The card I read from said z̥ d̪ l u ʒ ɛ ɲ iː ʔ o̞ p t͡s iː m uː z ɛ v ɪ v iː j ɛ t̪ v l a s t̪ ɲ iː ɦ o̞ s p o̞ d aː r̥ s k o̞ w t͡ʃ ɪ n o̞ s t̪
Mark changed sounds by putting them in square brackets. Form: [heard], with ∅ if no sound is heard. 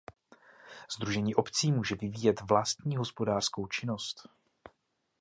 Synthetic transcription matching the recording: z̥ d̪ [ɾ] u ʒ ɛ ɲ iː ʔ o̞ p t͡s iː m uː [ʒ] ɛ v ɪ v iː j ɛ t̪ v l a s t̪ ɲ iː ɦ o̞ s p o̞ d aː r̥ s k o̞ w t͡ʃ ɪ n o̞ s t̪